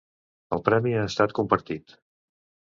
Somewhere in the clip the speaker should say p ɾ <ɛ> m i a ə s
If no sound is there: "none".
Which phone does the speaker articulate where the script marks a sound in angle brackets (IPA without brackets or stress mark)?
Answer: ɛ